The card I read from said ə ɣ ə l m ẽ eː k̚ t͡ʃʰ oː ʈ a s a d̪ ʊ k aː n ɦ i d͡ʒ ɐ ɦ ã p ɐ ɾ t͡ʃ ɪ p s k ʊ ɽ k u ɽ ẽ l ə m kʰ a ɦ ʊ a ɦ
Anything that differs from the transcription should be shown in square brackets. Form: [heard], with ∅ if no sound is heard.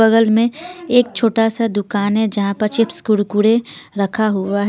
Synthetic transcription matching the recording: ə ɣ ə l m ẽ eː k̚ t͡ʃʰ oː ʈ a s a d̪ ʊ k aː n ɦ [ɛ] d͡ʒ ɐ ɦ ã p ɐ ɾ t͡ʃ ɪ p s k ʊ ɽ k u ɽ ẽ [ɾ] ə [∅] kʰ a ɦ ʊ a ɦ